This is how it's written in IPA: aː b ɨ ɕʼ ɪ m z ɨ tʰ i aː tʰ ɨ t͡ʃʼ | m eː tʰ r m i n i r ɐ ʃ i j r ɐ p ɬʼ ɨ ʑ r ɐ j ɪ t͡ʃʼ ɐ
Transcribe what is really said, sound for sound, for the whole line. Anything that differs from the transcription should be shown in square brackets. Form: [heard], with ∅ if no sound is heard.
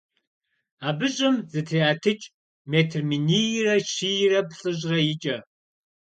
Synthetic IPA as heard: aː b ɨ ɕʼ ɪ m z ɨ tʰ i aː tʰ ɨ t͡ʃʼ | m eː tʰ r m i n i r ɐ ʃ i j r ɐ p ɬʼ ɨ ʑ r ɐ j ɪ t͡ʃʼ ɐ